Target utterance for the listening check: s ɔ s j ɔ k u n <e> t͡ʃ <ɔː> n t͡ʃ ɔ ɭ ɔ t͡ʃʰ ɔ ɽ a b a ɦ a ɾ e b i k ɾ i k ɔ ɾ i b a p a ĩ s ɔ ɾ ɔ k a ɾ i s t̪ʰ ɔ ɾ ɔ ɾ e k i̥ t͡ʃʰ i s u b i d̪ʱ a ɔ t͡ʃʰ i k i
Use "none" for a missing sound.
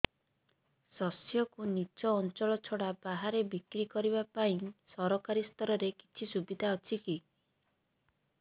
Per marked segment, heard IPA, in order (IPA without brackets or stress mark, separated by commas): i, ɔː